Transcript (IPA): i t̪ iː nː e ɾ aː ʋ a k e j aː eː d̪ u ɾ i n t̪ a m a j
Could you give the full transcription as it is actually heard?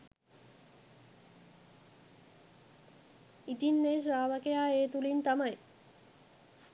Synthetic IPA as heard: i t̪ i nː e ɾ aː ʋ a k e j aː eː t̪ u l i n t̪ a m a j